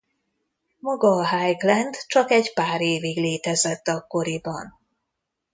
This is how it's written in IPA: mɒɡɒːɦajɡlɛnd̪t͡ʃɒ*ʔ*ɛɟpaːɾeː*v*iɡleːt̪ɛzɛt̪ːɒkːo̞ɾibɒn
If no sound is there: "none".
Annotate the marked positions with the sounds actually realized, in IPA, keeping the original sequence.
k, v

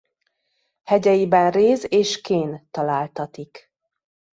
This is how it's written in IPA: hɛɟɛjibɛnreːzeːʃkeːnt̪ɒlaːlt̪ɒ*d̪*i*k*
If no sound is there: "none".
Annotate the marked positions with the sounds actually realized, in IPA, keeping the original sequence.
t̪, k

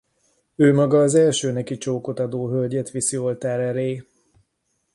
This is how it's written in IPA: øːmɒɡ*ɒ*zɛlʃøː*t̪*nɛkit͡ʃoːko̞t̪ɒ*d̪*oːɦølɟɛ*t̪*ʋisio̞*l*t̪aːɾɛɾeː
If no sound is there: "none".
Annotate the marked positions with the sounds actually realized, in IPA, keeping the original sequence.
ɒː, none, d̪, t̪, l

